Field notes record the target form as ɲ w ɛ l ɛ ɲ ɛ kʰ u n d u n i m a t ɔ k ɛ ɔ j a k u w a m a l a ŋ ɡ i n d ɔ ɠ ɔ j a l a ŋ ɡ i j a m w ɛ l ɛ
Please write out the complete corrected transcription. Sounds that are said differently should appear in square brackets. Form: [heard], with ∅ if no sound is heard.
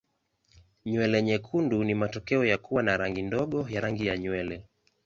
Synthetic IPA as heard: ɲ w ɛ l ɛ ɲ ɛ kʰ u n d u n i m a t ɔ k ɛ ɔ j a k u w a [n] a [ɾ] a ŋ ɡ i n d ɔ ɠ ɔ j a [ɾ] a ŋ ɡ i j a [ɲ] w ɛ l ɛ